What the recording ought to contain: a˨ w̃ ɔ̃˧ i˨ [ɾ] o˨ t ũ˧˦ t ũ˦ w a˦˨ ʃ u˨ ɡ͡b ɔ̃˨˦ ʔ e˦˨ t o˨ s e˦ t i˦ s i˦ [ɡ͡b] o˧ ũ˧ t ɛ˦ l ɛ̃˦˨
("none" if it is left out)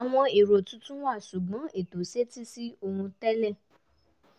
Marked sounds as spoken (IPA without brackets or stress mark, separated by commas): ɾ, none